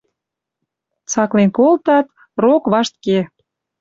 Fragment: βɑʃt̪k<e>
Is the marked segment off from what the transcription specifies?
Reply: no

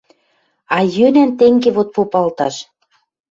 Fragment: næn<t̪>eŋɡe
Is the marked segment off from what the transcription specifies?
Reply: no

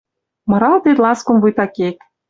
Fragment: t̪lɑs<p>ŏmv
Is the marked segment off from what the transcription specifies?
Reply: yes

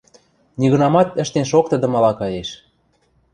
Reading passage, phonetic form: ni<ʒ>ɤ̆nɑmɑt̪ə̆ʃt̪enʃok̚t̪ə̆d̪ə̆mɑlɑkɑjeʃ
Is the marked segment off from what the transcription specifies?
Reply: yes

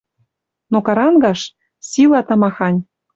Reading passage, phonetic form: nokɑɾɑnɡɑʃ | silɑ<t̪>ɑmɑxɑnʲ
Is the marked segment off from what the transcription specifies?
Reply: no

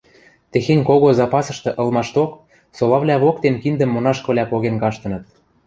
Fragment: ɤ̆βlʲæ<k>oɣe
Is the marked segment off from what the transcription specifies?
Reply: yes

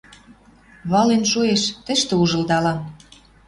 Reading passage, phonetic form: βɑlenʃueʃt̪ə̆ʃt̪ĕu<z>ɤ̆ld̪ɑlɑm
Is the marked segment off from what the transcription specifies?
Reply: yes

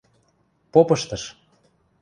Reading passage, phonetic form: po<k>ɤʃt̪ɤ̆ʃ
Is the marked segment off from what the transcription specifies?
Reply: yes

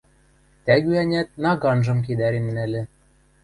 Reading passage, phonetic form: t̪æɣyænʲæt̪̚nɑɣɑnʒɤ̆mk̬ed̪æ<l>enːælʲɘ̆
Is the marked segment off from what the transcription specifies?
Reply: yes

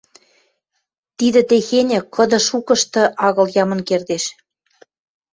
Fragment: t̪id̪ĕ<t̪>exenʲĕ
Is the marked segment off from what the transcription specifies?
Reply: no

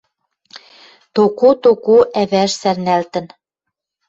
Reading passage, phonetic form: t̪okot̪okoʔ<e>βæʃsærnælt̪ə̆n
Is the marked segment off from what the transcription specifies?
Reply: yes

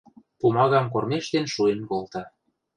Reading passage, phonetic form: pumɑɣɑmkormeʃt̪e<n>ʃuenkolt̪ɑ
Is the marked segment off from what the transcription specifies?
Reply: no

